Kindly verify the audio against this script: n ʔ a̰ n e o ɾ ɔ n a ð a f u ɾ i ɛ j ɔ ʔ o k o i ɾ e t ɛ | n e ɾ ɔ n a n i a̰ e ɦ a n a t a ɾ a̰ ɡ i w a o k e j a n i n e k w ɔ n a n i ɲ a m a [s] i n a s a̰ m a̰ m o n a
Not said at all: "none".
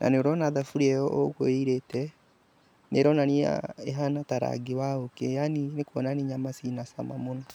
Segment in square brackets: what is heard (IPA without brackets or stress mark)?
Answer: s